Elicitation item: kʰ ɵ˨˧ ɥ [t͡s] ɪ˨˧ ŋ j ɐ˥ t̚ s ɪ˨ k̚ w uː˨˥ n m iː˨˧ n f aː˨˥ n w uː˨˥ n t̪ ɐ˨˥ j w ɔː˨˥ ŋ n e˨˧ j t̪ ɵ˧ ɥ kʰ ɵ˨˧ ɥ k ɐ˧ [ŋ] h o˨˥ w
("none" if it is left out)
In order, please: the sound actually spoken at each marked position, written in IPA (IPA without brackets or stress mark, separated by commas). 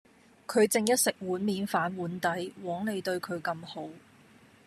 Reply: t͡s, m